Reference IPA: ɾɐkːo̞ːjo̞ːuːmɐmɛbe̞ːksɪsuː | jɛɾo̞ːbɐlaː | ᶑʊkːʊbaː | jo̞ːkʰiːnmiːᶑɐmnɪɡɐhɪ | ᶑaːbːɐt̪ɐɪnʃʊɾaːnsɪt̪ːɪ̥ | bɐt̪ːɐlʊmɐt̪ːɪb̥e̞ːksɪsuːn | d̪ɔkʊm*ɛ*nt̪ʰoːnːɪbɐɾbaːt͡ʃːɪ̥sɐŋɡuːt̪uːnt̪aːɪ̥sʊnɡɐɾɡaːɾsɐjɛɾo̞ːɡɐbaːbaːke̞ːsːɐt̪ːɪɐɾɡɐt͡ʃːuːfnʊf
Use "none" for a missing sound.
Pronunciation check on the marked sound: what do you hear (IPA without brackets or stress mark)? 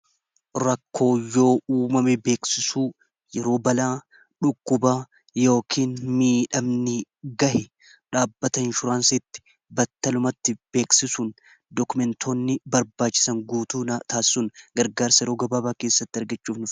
ɛ